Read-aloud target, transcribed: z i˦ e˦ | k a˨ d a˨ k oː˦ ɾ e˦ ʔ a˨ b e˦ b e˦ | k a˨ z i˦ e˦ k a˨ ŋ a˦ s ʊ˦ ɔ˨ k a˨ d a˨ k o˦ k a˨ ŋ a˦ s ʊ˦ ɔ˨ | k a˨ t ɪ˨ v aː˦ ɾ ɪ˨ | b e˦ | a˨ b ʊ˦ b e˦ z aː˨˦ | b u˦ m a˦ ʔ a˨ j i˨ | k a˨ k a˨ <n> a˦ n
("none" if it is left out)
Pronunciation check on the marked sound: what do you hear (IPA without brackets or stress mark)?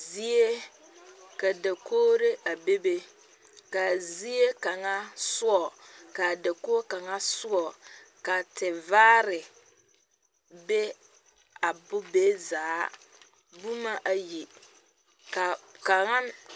ŋ